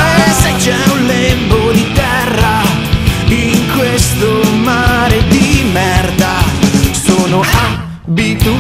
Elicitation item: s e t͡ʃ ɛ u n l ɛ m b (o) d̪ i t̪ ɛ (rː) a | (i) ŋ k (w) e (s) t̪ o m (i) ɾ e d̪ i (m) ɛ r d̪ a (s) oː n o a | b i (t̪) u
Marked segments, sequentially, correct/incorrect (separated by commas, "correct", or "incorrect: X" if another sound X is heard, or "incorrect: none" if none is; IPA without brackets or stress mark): correct, correct, correct, correct, correct, incorrect: a, correct, correct, correct